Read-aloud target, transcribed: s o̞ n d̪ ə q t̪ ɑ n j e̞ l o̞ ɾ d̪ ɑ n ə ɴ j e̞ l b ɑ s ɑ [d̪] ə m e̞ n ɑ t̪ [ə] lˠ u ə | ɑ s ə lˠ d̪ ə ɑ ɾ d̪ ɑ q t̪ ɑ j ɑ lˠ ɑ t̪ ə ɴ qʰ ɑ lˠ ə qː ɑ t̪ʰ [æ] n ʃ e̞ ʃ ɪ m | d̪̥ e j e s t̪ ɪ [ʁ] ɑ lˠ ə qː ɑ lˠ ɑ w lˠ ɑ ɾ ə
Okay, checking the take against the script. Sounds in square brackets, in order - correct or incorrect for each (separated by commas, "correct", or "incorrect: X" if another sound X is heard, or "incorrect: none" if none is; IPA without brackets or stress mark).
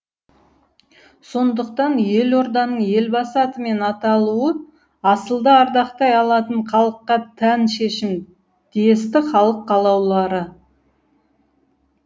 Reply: incorrect: t̪, incorrect: ɑ, correct, incorrect: χ